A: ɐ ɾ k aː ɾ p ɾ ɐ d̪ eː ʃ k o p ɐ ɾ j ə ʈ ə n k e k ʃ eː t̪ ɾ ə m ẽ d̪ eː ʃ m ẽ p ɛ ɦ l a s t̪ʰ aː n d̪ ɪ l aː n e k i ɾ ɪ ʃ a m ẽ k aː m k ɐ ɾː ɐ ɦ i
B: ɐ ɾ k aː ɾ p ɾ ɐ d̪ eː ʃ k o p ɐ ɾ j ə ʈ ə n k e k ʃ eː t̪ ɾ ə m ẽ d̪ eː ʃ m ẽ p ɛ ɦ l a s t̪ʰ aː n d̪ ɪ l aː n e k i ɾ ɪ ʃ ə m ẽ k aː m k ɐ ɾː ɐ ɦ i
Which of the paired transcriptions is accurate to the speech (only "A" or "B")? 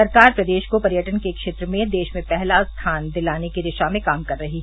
A